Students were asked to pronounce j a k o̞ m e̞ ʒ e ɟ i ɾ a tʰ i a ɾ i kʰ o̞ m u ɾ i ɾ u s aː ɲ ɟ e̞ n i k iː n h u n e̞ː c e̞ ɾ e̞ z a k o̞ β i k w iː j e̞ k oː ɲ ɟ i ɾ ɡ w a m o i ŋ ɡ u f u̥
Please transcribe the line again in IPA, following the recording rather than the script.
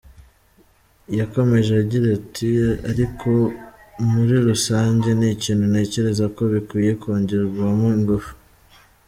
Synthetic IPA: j a k o̞ m e̞ ʒ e ɟ i ɾ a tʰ i a ɾ i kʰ o̞ m u ɾ i ɾ u s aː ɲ ɟ e̞ n i c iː n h u n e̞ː c e̞ ɾ e̞ z a k o̞ β i k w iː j e̞ k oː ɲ ɟ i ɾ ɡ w a m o i ŋ ɡ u f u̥